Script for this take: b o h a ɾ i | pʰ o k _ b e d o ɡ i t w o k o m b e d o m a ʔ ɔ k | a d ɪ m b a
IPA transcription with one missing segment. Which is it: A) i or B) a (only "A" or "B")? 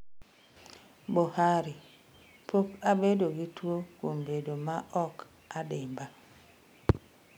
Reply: B